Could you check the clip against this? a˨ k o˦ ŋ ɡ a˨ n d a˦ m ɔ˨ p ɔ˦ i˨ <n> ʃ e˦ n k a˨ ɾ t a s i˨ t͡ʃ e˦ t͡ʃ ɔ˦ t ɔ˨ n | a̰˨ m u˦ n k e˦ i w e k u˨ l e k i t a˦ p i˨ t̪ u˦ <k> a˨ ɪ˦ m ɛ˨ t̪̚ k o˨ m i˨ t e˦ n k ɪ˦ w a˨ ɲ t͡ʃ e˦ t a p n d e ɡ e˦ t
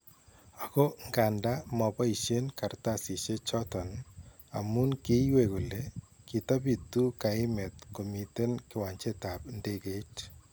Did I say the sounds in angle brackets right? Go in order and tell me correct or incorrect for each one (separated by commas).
incorrect, correct